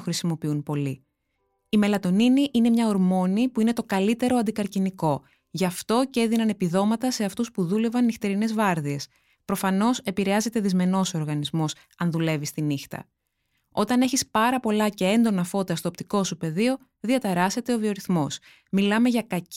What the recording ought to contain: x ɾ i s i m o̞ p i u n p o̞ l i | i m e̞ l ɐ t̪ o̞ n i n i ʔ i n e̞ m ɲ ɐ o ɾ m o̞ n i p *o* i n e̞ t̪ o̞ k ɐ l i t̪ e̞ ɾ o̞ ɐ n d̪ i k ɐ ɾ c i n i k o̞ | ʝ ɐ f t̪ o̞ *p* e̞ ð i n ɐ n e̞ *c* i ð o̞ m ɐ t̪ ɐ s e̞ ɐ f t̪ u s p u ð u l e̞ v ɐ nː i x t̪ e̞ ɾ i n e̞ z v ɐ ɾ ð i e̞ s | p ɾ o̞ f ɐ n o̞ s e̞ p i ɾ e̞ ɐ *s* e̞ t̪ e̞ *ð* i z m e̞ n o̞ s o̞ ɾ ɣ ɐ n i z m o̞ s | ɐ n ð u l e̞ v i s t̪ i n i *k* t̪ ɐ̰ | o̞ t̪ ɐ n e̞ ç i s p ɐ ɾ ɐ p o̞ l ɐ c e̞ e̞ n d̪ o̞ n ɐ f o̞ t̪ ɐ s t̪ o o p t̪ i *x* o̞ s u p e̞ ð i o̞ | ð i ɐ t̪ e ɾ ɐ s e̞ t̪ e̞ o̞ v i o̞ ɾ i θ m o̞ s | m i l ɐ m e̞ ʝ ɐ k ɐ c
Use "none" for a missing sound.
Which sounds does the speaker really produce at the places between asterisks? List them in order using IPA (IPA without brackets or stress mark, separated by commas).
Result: u, c, p, z, ð, x, k